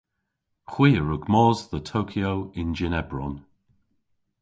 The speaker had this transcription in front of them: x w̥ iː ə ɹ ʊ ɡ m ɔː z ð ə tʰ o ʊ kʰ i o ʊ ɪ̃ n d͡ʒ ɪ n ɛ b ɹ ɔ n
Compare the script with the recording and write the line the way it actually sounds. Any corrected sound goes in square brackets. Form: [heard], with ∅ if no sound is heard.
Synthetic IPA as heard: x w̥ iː ə ɹ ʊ ɡ m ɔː z ð ə tʰ o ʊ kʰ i o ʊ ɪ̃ n d͡ʒ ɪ n ɛ b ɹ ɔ n